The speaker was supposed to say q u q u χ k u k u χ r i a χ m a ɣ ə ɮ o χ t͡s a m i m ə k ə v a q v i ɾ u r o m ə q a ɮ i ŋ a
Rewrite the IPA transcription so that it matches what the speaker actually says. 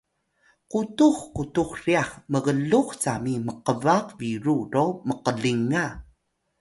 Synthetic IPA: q u t u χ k u t u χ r i a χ m ə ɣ ə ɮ u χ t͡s a m i m ə q ə v a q v i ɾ u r o m ə q ə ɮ i ŋ a

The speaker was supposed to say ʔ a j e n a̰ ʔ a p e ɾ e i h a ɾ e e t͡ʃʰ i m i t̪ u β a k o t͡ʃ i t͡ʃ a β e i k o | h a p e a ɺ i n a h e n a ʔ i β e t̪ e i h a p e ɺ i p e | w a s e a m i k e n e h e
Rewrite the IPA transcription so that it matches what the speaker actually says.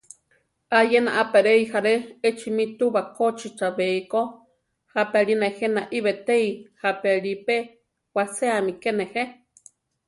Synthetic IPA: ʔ a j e n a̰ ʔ a p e ɾ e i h a ɾ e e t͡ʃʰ i m i t̪ u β a k o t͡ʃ i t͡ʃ a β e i k o | h a p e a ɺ i n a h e n a ʔ i β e t̪ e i h a p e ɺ i p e | w a s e a m i k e n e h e

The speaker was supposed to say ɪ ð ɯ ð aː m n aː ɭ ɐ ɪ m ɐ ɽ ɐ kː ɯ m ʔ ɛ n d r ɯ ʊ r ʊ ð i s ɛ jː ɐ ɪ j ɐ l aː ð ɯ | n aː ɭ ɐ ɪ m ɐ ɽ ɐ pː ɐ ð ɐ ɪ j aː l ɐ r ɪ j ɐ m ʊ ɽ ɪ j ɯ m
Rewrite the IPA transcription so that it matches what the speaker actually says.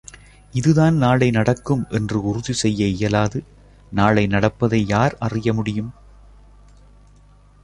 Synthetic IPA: ɪ ð ɯ ð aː n n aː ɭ ɐ ɪ n ɐ ɽ ɐ kː ɯ m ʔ ɛ n d r ɯ ʊ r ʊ ð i s ɛ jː ɐ ɪ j ɐ l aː ð ɯ | n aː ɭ ɐ ɪ n ɐ ɽ ɐ pː ɐ ð ɐ ɪ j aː ɾ ɐ r ɪ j ɐ m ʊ ɽ ɪ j ɯ m

